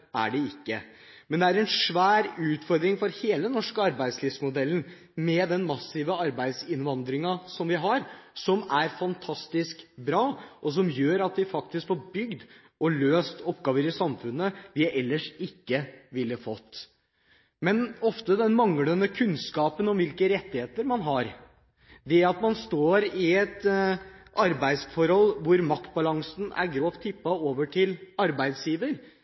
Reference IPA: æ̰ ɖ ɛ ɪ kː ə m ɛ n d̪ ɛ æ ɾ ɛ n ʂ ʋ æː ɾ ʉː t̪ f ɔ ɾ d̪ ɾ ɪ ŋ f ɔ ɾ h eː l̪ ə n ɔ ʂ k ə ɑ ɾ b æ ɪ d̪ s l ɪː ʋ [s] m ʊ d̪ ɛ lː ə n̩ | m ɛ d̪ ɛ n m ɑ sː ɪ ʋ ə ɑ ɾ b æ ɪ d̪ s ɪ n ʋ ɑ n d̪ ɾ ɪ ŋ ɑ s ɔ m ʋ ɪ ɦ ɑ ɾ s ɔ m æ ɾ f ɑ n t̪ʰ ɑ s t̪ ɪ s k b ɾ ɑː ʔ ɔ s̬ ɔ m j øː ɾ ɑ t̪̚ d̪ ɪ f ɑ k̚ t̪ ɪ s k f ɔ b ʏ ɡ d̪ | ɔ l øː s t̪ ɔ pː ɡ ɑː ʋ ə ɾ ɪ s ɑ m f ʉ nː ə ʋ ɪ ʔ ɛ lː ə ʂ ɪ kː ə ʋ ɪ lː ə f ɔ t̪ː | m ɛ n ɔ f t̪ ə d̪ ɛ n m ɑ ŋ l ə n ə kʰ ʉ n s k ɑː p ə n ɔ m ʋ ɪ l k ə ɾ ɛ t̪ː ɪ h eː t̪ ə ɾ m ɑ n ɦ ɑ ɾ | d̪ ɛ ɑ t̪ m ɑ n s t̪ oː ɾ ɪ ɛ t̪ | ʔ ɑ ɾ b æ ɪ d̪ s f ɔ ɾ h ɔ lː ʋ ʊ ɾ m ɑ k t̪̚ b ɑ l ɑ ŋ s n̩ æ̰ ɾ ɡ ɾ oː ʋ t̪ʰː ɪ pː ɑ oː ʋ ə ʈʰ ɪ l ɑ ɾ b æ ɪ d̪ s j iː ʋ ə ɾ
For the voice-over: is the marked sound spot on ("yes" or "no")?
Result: yes